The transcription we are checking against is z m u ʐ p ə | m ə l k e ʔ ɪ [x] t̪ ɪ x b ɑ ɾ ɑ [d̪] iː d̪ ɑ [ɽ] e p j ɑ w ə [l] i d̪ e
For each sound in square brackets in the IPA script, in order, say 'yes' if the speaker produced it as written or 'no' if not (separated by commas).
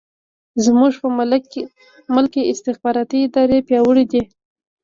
no, no, no, no